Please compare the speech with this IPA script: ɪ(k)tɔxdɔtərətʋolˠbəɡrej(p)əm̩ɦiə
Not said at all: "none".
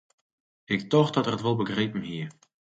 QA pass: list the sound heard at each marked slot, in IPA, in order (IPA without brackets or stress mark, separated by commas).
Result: k, p